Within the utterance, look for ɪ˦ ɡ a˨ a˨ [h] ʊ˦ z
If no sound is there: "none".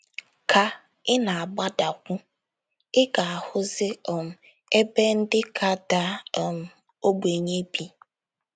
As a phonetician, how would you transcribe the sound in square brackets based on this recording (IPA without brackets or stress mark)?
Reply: h